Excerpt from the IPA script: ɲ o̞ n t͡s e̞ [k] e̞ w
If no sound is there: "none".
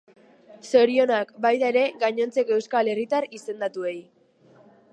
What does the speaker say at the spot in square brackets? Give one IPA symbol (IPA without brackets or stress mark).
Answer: k